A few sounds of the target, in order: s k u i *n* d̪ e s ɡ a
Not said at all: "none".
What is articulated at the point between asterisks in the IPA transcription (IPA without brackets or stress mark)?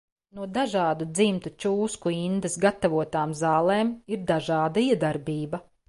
n